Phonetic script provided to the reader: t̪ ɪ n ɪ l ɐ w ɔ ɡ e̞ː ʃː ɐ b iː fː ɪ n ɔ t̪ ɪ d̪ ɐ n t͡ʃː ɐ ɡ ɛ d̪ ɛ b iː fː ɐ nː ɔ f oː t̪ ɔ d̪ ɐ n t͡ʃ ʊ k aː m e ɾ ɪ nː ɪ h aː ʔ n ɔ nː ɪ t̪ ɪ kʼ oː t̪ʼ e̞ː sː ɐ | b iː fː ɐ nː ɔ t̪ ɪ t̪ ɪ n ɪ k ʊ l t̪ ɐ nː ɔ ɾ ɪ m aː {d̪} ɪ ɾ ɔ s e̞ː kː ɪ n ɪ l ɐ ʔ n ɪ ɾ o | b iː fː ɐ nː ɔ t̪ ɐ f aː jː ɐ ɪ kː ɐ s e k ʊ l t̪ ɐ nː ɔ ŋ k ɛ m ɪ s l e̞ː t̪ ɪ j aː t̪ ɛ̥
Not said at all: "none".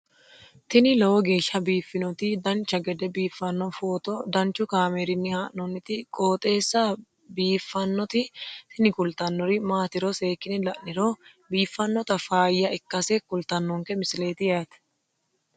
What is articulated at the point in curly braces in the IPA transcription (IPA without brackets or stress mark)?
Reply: t̪